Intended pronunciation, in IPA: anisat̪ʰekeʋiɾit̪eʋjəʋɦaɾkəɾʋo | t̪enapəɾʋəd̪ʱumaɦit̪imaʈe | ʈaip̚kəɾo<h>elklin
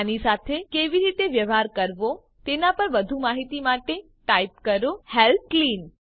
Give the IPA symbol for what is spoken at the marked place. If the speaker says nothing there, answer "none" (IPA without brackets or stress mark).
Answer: h